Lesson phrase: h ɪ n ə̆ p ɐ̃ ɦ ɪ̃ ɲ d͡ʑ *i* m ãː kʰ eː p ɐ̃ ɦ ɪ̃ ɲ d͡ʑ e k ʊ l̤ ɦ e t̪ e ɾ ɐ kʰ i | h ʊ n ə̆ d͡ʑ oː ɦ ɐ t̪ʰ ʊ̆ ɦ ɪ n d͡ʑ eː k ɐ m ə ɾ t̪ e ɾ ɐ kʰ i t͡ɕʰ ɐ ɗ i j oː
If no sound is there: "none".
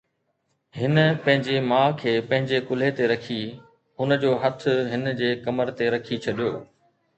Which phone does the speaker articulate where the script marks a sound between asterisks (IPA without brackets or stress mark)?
e